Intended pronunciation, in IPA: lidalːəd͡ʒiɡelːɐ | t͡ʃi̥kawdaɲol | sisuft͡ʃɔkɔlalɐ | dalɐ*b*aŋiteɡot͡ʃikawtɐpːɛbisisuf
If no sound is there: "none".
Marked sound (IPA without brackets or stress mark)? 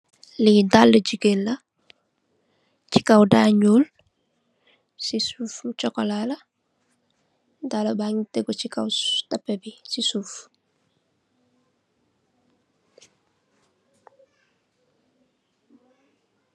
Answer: b